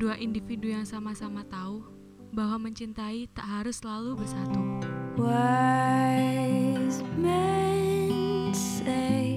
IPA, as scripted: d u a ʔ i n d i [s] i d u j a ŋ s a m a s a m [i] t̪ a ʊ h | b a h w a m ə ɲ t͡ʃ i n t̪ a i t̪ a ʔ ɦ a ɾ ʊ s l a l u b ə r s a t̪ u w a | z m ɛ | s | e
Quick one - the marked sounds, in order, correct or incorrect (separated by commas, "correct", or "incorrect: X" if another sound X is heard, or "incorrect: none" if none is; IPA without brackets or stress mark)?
incorrect: f, incorrect: a